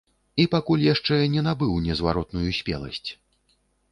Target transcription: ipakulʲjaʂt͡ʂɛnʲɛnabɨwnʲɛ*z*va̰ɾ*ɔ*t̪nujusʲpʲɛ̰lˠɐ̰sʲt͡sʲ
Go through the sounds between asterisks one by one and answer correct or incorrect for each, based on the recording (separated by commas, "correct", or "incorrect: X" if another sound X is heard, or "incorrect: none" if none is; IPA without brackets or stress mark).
correct, correct